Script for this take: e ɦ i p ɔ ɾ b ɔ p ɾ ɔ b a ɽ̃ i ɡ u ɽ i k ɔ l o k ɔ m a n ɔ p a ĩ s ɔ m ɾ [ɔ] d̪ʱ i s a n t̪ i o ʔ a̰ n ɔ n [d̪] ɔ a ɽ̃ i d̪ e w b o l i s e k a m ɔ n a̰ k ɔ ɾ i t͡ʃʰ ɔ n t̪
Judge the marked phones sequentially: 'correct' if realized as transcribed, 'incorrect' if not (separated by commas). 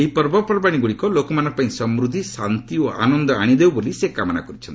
incorrect, correct